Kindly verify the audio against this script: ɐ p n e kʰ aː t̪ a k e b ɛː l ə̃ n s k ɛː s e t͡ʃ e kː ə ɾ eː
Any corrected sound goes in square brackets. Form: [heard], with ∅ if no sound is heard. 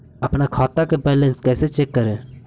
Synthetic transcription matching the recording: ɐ p n [a] kʰ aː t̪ a k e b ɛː l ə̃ n s k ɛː s e t͡ʃ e kː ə ɾ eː

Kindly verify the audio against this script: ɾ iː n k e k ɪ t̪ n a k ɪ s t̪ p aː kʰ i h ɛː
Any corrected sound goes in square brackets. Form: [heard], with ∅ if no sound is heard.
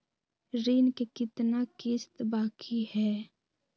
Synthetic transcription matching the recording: ɾ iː n k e k ɪ t̪ n a k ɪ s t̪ [b] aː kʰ i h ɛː

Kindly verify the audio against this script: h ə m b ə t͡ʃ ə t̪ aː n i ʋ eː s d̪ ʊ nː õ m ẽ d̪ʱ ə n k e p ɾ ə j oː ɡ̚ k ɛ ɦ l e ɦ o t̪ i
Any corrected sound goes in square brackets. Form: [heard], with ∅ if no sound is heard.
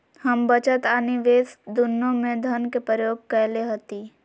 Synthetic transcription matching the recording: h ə m b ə t͡ʃ ə t̪ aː n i ʋ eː s d̪ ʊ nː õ m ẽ d̪ʱ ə n k e p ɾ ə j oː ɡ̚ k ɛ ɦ l e ɦ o t̪ i

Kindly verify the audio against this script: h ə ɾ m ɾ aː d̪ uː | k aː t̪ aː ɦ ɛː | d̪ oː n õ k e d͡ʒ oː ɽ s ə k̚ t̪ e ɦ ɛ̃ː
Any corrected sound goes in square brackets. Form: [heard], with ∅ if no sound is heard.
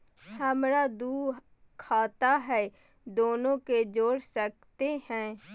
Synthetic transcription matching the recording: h ə [∅] m ɾ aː d̪ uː | [kʰ] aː t̪ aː ɦ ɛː | d̪ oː n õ k e d͡ʒ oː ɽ s ə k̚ t̪ e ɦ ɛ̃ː

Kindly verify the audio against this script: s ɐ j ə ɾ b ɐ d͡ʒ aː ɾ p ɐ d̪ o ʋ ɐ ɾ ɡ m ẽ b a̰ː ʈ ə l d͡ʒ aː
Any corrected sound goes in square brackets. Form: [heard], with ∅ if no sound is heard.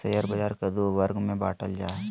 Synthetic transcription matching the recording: s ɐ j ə ɾ b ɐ d͡ʒ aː ɾ [k] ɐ d̪ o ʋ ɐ ɾ ɡ m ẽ b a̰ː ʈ ə l d͡ʒ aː

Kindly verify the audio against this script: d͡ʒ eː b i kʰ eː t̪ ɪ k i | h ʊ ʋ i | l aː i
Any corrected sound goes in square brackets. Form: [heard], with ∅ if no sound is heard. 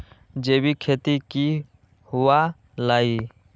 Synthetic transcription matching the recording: d͡ʒ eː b i kʰ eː t̪ [i] k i | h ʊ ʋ [a] | l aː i

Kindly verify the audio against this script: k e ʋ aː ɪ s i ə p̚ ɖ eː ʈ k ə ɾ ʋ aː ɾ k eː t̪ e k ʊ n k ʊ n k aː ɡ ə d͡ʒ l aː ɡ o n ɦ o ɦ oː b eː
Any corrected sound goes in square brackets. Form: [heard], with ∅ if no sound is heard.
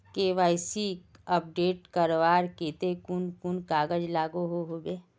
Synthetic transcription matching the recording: k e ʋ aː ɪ s i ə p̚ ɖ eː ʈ k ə ɾ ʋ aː ɾ k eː t̪ e k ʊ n k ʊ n k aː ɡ ə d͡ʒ l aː ɡ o [∅] ɦ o ɦ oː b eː

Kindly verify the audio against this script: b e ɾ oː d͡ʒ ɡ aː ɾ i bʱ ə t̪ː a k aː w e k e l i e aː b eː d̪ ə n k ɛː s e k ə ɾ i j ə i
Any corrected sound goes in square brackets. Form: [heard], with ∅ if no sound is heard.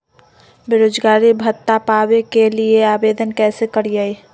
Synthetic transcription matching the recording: b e ɾ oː d͡ʒ ɡ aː ɾ i bʱ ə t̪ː a [p] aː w e k e l i e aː b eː d̪ ə n k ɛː s e k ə ɾ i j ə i

